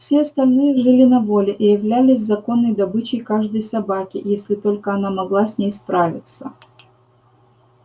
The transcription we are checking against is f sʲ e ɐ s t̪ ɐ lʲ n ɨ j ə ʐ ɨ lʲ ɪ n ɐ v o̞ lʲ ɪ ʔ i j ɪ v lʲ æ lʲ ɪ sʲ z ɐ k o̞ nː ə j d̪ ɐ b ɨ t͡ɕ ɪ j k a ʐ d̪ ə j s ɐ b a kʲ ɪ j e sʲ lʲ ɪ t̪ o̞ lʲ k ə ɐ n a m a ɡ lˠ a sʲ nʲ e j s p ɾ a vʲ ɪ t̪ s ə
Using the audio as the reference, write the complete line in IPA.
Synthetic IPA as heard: f sʲ e ɐ s t̪ ɐ lʲ n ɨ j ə ʐ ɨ lʲ ɪ n ɐ v o̞ lʲ ɪ ʔ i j ɪ v lʲ æ lʲ ɪ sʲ z ɐ k o̞ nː ə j d̪ ɐ b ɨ t͡ɕ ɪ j k a ʐ d̪ ə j s ɐ b a kʲ ɪ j e sʲ lʲ ɪ t̪ o̞ lʲ k ə ɐ n a m ɐ ɡ lˠ a sʲ nʲ e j s p ɾ a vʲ ɪ t̪ s ə

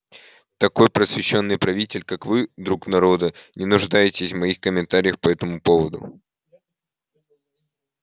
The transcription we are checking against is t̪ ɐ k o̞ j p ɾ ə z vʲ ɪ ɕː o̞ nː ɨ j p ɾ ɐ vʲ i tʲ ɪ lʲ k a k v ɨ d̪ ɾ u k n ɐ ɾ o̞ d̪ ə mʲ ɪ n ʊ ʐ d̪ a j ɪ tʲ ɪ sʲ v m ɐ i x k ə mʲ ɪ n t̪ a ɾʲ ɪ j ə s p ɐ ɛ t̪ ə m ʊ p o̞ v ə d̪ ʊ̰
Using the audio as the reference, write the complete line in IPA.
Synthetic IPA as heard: t̪ ɐ k o̞ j p ɾ ə s vʲ ɪ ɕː o̞ nː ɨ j p ɾ ɐ vʲ i tʲ ɪ lʲ k a k v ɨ d̪ ɾ u k n ɐ ɾ o̞ d̪ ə nʲ ɪ n ʊ ʐ d̪ a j ɪ tʲ ɪ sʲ v m ɐ i x k ə mʲ ɪ n t̪ a ɾʲ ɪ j ə x p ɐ ɛ t̪ ə m ʊ p o̞ v ə d̪ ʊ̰

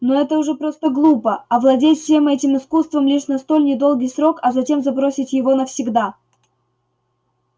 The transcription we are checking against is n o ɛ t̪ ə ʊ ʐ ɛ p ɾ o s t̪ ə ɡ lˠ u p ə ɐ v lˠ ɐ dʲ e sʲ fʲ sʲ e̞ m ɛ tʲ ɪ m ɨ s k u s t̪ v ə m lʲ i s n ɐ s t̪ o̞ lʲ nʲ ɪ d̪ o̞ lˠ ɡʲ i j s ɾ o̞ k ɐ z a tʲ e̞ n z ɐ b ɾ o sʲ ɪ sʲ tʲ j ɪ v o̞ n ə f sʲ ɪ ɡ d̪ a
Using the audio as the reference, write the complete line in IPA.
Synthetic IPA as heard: n o ɛ t̪ ə ʊ ʐ ɛ p ɾ o s t̪ ə ɡ lˠ u p ə ɐ v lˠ ɐ dʲ e tʲ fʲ sʲ e̞ m ɛ tʲ ɪ m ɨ s k u s t̪ v ə m lʲ i ʂ n ɐ s t̪ o̞ lʲ nʲ ɪ d̪ o̞ lˠ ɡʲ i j s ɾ o̞ k ɐ z ɐ tʲ e̞ m z ɐ b ɾ o sʲ ɪ tʲ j ɪ v o̞ n ə f sʲ ɪ ɡ d̪ a

